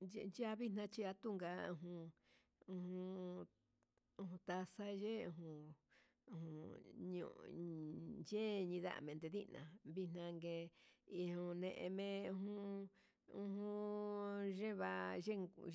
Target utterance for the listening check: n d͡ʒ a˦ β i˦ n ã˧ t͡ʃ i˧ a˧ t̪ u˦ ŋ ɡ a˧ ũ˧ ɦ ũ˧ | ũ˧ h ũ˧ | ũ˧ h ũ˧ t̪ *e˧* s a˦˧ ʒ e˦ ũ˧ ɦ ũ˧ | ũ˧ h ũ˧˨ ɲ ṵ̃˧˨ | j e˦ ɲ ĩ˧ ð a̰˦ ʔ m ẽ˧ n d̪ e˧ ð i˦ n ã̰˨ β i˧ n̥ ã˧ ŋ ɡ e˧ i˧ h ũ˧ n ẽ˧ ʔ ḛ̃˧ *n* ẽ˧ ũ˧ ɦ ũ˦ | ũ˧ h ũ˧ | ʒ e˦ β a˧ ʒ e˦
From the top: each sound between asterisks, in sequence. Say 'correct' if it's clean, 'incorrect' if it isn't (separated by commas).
incorrect, incorrect